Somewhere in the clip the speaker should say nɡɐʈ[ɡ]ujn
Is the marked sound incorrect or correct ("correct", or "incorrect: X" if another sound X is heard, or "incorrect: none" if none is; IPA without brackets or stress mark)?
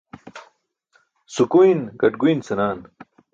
correct